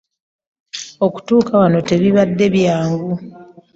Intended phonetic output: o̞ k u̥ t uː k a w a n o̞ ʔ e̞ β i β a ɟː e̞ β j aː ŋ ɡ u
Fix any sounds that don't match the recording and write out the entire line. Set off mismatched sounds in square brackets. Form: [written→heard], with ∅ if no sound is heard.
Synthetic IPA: o̞ k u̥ t uː k a w a n o̞ [ʔ→t] e̞ β i β a [ɟː→dː] e̞ β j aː ŋ ɡ u